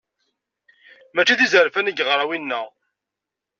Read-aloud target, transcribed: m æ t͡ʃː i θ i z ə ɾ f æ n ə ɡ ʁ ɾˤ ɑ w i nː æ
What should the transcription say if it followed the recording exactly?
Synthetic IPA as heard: m æ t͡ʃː i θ i z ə ɾ f æ n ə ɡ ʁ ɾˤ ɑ w i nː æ